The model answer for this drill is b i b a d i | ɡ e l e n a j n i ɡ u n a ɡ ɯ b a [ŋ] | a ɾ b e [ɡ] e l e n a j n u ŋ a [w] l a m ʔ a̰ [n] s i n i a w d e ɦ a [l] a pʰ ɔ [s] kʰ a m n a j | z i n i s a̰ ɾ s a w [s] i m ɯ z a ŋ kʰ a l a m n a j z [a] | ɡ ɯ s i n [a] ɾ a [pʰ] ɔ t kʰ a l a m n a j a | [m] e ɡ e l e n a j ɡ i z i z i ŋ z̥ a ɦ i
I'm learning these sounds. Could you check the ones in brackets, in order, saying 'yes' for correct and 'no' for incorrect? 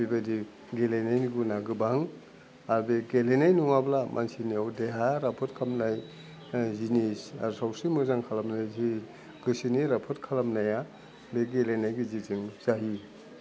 yes, yes, no, yes, no, no, yes, no, no, yes, no

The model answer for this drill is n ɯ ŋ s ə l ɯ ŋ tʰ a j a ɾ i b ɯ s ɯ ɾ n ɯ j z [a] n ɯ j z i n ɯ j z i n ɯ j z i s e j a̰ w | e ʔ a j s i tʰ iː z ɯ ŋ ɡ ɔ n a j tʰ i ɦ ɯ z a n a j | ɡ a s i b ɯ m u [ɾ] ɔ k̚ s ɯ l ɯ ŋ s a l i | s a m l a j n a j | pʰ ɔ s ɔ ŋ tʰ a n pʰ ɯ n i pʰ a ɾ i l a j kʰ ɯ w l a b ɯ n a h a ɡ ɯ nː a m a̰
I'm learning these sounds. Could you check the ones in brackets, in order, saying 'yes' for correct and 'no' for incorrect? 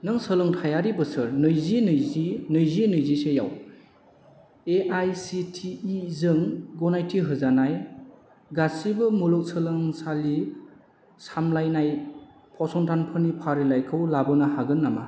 no, no

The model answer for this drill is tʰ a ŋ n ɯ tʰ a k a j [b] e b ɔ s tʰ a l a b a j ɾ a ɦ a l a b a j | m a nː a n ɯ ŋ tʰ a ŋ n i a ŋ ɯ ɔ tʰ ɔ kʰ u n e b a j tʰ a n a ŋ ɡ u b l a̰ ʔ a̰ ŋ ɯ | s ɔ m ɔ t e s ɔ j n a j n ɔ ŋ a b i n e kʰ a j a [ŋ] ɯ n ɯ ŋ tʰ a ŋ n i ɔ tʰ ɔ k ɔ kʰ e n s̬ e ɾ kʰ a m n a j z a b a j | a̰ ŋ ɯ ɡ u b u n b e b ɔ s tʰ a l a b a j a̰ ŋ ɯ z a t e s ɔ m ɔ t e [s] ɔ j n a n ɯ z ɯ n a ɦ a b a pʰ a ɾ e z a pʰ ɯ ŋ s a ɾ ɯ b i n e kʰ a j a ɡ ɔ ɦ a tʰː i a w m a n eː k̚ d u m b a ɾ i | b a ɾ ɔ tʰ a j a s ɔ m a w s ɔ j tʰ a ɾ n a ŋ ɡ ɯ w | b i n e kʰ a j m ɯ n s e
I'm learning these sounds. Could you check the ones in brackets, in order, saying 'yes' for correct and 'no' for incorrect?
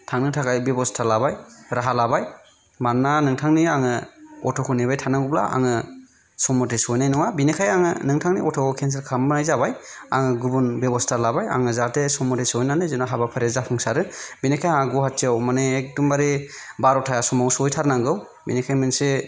yes, yes, yes

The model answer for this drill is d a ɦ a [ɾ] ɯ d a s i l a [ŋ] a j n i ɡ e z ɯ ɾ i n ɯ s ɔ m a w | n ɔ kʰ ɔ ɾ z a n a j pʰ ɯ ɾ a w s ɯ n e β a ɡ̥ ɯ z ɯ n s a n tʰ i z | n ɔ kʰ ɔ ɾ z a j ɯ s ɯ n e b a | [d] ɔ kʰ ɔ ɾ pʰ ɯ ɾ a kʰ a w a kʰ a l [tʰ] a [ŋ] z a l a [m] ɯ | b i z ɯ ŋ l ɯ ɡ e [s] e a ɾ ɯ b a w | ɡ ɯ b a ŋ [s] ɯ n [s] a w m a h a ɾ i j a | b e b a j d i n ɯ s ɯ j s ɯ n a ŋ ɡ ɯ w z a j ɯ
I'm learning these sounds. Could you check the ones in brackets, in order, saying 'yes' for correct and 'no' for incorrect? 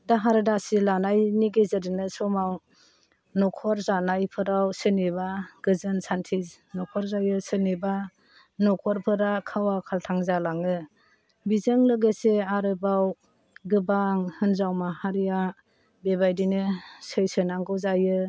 yes, no, no, yes, yes, no, yes, no, no

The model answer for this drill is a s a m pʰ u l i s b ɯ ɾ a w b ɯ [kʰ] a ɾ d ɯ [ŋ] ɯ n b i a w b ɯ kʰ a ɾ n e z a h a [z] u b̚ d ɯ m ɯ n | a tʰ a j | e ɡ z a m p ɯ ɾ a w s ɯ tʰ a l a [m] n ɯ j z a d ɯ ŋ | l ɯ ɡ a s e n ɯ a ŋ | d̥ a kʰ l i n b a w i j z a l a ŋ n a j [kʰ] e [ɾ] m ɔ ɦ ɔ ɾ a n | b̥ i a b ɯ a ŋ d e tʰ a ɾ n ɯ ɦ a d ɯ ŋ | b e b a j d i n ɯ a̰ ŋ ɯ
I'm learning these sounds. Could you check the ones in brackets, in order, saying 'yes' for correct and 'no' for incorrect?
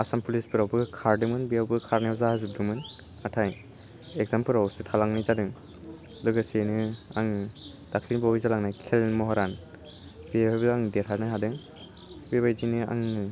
yes, no, yes, no, yes, no

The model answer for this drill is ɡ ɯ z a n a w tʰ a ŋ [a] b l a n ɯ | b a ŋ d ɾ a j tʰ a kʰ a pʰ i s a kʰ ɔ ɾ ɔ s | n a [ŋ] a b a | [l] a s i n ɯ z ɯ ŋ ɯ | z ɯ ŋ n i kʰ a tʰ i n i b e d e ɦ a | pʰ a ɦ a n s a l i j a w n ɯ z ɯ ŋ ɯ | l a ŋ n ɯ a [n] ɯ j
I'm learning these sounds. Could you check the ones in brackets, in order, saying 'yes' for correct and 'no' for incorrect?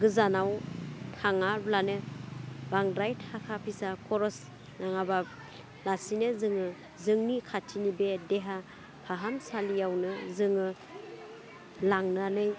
yes, yes, yes, yes

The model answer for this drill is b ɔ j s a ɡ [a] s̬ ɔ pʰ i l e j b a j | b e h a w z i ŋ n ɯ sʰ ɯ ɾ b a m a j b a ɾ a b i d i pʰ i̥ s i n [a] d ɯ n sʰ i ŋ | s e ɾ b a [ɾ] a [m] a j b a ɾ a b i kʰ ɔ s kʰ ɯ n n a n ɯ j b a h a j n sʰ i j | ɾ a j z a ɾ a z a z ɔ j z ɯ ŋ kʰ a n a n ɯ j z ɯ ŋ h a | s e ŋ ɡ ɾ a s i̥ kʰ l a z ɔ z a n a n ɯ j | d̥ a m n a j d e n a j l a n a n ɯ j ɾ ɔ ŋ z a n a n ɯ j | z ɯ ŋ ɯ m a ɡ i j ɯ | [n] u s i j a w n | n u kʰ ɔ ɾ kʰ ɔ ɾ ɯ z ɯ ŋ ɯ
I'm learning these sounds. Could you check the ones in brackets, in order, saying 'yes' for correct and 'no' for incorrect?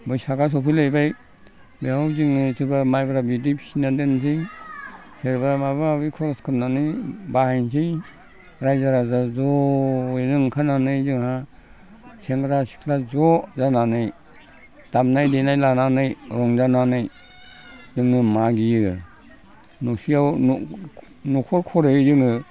yes, yes, yes, yes, yes

